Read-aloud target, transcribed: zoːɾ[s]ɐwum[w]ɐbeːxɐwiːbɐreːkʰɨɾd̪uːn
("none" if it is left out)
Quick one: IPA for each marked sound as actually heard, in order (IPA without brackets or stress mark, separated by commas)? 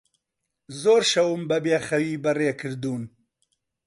ʃ, b